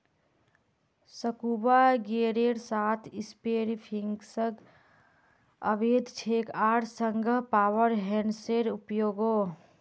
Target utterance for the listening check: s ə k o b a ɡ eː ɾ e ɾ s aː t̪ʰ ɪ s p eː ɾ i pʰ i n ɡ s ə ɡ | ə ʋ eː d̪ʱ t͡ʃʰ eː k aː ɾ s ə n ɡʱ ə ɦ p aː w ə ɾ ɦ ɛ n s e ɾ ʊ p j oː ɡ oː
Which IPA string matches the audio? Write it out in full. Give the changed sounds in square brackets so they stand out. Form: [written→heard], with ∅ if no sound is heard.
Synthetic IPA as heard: s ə k [o→u] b a ɡ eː ɾ e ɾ s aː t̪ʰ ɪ s p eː ɾ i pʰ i [n→ŋ] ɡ s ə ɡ | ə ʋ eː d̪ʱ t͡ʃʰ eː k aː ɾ s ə [n→ŋ] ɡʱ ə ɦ p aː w ə ɾ ɦ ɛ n s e ɾ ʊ p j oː ɡ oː